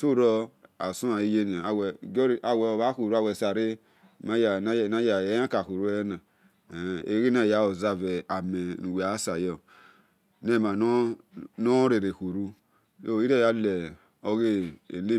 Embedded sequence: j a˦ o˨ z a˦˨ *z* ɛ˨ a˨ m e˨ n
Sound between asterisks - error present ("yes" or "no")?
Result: yes